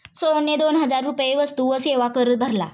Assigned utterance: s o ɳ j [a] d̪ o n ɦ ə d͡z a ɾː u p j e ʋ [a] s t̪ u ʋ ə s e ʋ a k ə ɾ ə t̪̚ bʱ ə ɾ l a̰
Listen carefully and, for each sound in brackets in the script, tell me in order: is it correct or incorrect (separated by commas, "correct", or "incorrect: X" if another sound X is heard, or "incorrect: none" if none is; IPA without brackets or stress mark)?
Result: incorrect: e, incorrect: ə